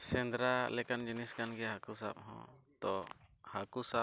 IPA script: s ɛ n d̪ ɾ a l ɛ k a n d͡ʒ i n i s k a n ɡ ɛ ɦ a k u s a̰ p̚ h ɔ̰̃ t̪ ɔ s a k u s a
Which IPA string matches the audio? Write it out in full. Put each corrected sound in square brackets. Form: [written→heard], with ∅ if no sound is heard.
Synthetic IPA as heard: s ɛ n d̪ ɾ a l ɛ k a n d͡ʒ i n i s k a n ɡ ɛ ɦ a k u s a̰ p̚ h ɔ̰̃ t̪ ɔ [s→h] a k u s a